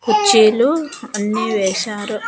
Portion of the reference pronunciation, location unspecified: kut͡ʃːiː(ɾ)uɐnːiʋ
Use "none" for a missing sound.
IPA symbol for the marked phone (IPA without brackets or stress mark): l